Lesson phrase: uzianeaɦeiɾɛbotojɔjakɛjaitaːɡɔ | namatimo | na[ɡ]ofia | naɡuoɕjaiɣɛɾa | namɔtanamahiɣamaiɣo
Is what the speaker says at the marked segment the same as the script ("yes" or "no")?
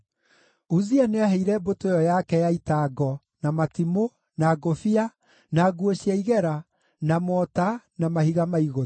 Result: yes